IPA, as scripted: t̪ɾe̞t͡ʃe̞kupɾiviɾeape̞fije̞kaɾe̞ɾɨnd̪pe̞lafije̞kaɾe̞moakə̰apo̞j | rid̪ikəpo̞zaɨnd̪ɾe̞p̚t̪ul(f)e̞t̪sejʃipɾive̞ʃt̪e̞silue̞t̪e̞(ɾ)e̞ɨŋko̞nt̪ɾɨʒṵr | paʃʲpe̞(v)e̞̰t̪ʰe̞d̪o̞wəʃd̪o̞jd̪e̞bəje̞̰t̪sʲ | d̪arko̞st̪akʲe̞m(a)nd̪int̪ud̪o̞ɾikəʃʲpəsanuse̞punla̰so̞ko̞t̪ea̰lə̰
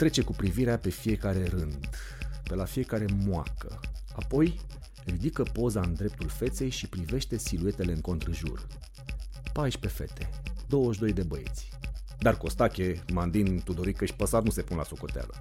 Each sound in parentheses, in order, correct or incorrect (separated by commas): correct, incorrect, incorrect, correct